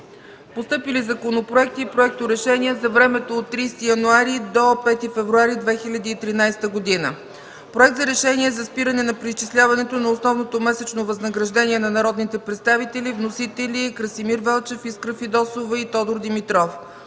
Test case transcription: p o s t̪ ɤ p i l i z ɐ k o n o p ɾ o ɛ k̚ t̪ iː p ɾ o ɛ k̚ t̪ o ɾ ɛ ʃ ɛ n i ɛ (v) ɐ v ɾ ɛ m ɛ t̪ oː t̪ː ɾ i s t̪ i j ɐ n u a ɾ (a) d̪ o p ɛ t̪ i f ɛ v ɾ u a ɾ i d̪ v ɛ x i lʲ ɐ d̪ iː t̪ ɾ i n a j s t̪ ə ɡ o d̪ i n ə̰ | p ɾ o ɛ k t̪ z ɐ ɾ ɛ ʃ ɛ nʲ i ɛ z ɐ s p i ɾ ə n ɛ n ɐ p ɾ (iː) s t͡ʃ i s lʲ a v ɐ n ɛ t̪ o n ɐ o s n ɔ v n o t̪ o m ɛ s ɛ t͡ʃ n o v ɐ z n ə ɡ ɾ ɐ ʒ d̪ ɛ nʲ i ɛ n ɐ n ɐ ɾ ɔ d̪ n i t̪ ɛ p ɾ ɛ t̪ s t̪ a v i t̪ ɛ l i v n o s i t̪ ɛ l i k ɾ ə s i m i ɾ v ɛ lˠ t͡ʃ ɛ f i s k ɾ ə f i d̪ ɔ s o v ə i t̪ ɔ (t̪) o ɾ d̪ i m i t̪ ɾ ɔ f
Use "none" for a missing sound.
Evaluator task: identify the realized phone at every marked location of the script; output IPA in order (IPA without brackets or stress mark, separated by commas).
z, i, i, d̪